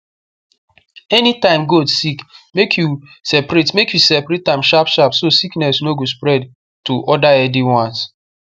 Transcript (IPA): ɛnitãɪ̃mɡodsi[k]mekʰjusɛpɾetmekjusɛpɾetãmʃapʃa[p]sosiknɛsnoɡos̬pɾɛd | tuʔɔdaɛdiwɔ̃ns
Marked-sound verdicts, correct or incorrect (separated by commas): correct, correct